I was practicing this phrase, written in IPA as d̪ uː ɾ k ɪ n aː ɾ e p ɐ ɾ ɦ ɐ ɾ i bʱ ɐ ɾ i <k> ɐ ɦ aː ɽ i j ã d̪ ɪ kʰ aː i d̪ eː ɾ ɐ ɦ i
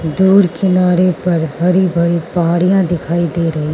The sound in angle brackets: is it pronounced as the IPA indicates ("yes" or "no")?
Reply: no